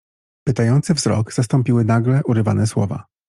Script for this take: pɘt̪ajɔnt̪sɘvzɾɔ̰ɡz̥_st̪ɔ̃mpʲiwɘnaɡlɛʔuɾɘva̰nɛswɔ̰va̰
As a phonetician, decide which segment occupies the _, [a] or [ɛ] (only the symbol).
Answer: a